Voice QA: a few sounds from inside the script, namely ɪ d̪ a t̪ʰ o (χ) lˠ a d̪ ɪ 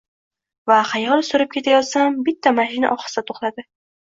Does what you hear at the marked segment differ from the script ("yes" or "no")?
no